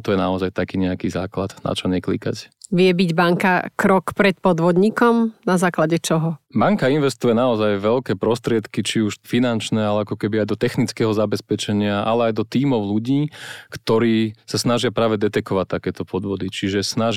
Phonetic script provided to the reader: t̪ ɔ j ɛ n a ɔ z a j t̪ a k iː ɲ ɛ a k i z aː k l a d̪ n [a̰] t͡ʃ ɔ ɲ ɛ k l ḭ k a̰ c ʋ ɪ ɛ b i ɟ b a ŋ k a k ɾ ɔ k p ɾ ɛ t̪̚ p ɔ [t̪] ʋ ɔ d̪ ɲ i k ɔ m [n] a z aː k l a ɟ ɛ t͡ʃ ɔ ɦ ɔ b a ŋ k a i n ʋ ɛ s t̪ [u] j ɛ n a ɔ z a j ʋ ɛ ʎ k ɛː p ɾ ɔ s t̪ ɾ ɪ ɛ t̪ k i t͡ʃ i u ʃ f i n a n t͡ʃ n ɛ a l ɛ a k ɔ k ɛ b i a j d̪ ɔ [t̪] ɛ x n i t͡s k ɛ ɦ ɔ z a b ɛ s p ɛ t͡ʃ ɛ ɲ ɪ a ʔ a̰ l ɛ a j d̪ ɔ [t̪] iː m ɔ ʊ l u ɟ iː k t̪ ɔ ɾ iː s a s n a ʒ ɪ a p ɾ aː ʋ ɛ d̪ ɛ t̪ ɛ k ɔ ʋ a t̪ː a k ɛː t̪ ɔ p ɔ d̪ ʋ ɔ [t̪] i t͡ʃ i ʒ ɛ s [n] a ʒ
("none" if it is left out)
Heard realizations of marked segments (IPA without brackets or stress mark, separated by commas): a̰, d̪, n, u, t̪, t̪, d̪, n